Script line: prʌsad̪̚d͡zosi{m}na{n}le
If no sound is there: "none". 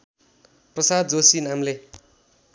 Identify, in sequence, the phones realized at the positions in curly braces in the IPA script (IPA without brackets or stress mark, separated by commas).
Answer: none, m